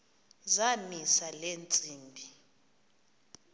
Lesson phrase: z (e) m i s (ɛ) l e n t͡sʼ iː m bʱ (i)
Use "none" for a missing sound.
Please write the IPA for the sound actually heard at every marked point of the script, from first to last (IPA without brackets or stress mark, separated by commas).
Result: a, a, i